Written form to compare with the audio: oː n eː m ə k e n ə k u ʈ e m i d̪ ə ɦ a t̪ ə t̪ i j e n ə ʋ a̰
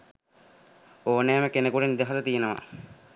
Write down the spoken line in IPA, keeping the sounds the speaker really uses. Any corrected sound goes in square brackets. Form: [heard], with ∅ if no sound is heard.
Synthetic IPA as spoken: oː n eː m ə k e n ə k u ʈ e [n] i d̪ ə ɦ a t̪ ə t̪ i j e n ə ʋ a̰